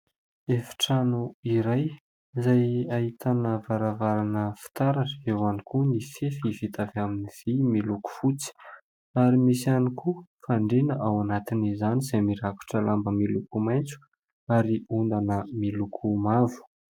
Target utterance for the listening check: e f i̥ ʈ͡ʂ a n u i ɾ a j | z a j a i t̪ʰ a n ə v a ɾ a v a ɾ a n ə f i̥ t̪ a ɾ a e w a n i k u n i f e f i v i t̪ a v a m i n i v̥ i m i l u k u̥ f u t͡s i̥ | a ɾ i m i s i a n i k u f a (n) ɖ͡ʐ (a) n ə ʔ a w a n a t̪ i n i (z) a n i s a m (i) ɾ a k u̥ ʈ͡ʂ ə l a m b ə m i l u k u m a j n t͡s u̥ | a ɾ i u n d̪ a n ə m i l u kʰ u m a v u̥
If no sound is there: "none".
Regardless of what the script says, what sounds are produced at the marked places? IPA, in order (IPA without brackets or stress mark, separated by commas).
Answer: ɳ, e, z, i